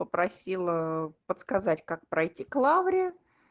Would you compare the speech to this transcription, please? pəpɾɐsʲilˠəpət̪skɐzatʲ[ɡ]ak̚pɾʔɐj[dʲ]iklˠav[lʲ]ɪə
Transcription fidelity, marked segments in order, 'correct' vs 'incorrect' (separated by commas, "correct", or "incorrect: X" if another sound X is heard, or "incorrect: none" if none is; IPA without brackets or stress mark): incorrect: k, incorrect: tʲ, incorrect: ɾʲ